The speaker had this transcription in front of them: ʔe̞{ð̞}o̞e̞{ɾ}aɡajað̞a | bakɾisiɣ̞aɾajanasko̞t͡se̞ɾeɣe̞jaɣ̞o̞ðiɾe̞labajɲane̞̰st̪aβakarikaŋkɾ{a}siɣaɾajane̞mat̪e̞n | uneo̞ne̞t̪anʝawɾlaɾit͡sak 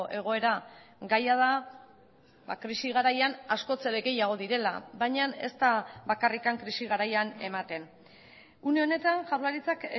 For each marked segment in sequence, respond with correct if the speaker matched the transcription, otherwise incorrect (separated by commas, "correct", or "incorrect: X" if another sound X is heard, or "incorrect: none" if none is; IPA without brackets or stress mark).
incorrect: ɣ̞, correct, incorrect: i